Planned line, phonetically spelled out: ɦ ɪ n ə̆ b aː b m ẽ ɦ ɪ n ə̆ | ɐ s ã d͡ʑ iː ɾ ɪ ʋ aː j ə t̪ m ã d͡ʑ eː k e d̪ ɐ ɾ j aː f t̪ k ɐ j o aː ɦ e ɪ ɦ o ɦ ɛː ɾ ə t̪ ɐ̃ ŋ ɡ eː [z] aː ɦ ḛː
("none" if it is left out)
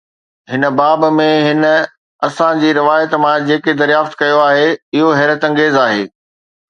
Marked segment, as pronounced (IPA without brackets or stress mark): z